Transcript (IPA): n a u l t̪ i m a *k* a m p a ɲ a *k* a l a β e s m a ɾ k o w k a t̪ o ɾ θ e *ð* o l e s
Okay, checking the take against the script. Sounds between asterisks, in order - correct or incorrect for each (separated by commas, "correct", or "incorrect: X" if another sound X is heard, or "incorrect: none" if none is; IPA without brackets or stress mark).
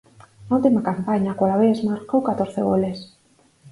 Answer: correct, correct, incorrect: ɣ